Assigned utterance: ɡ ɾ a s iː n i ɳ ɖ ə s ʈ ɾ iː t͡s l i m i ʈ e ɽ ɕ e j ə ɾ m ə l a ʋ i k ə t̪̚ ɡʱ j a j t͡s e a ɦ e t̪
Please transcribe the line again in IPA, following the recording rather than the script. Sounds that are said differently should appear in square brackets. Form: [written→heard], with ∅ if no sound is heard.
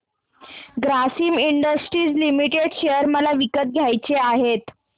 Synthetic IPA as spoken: ɡ ɾ a s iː [n→m] i ɳ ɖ ə s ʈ ɾ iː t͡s l i m i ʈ e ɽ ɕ e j ə ɾ m ə l a ʋ i k ə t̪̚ ɡʱ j a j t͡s e a ɦ e t̪